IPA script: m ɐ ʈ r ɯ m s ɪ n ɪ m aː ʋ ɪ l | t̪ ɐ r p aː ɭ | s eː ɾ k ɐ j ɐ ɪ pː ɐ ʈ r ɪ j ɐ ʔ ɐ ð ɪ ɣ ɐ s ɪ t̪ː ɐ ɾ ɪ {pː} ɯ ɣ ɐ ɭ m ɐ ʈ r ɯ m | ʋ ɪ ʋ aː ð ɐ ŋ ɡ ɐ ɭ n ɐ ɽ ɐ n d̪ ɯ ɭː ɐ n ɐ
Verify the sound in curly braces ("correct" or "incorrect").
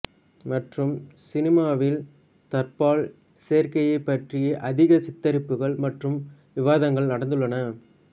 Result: correct